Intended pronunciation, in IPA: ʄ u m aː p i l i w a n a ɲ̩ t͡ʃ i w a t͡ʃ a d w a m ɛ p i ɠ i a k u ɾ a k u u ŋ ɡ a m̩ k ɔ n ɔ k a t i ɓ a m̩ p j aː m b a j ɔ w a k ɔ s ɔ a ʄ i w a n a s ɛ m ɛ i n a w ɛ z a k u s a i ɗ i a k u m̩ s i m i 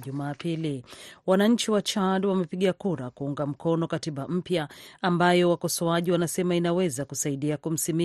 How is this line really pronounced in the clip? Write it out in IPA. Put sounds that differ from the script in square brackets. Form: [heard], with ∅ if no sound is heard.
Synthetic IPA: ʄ u m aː p i l i w a n a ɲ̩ t͡ʃ i w a t͡ʃ a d w a m ɛ p i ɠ i a k u ɾ a k u u ŋ ɡ a m̩ k ɔ n ɔ k a t i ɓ a m̩ p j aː m b a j ɔ w a k ɔ s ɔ a ʄ i w a n a s ɛ m [a] i n a w ɛ z a k u s a i ɗ i a k u m̩ s i m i